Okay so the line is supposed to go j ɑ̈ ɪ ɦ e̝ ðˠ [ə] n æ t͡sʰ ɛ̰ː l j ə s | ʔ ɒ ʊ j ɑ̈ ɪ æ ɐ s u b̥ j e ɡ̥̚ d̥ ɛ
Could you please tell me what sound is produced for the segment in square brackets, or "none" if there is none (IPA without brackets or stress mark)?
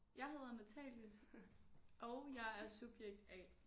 ɐ